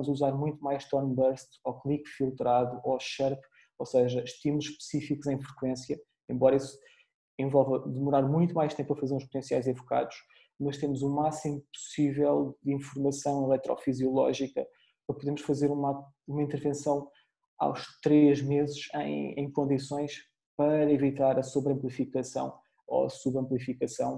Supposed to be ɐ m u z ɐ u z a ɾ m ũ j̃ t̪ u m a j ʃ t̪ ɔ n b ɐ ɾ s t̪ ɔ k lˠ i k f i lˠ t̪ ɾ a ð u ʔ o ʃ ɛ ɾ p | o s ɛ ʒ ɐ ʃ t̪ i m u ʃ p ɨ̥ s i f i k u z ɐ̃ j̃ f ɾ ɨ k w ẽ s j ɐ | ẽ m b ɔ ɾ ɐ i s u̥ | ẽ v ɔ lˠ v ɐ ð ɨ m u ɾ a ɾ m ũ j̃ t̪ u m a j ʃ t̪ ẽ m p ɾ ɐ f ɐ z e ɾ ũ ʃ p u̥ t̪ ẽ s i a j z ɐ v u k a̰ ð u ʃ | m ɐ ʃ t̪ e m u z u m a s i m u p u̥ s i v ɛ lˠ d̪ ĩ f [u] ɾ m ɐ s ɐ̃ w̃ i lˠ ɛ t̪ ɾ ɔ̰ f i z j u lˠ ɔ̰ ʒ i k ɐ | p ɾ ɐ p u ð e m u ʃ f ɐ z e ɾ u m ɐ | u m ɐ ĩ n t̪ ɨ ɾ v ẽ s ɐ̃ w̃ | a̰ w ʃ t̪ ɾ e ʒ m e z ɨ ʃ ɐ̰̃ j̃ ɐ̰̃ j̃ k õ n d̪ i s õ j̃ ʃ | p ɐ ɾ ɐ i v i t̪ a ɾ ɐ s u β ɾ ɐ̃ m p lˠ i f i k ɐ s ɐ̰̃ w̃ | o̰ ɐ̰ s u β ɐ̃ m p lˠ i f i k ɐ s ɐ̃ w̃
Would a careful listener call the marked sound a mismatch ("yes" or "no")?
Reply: no